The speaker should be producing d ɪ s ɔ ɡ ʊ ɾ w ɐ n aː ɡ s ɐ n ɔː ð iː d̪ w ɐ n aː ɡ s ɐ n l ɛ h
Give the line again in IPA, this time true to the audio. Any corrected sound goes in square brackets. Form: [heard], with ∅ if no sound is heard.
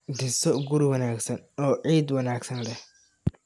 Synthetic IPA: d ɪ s ɔ ɡ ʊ ɾ w ɐ n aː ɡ s ɐ n ɔː [ʕ] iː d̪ w ɐ n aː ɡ s ɐ n l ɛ h